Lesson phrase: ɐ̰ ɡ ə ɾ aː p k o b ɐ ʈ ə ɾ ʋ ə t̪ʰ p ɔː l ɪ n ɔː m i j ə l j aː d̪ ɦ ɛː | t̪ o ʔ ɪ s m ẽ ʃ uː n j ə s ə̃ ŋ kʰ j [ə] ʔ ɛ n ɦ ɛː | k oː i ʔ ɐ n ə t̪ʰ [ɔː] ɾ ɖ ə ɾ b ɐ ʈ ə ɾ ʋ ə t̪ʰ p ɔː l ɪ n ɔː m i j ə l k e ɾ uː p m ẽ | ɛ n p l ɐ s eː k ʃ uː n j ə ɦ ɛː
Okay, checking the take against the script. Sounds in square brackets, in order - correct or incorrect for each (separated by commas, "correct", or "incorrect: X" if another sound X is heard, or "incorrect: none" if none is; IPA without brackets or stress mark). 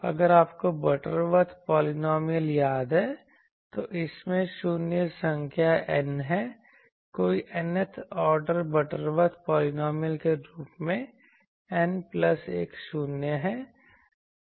incorrect: a, correct